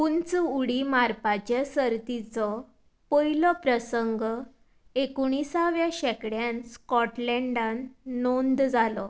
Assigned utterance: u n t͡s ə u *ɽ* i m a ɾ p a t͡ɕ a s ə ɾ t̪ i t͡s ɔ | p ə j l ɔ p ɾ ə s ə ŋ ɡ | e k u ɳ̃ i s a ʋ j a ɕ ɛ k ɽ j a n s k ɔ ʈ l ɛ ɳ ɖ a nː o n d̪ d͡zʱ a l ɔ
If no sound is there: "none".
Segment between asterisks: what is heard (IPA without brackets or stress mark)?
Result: ɽ